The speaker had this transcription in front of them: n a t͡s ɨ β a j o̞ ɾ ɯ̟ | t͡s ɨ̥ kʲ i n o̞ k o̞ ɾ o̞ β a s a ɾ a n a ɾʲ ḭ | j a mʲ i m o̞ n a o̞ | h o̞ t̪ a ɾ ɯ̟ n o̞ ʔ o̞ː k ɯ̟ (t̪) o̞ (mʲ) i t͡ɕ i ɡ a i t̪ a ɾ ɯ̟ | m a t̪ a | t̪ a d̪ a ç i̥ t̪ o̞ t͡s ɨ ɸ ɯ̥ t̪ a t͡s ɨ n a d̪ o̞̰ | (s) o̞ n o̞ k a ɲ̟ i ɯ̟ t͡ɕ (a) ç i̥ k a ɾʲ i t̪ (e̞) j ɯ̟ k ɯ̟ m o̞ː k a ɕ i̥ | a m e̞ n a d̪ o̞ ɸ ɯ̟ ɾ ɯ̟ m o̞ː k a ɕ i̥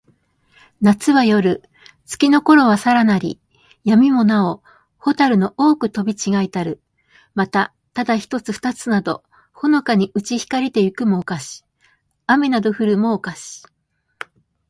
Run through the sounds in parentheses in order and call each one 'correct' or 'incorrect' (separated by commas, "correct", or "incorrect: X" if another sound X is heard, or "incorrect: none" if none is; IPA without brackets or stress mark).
correct, incorrect: bʲ, incorrect: h, incorrect: i, correct